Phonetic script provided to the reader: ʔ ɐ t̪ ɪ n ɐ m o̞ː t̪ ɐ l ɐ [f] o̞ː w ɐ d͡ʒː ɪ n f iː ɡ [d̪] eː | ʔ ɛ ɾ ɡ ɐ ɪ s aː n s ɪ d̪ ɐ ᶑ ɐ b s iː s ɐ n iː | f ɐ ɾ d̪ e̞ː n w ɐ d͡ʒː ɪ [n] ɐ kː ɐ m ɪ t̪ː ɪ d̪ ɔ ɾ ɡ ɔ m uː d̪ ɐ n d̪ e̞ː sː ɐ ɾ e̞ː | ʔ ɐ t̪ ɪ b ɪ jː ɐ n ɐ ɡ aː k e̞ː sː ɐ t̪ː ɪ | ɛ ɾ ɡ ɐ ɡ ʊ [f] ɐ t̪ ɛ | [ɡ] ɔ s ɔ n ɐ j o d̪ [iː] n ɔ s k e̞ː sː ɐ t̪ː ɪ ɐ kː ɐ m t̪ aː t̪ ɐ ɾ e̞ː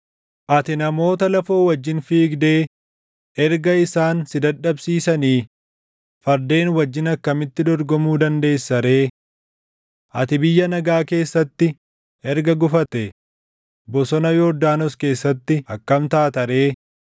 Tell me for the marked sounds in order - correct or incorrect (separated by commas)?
correct, correct, correct, correct, incorrect, incorrect